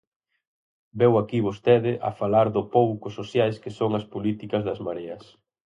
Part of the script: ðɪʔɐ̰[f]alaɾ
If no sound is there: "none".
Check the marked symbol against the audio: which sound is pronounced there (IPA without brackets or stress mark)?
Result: f